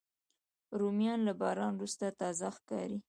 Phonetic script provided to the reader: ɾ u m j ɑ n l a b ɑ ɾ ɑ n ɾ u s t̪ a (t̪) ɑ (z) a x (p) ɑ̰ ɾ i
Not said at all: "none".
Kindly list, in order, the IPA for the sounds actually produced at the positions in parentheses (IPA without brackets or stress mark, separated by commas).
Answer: t̪, z, k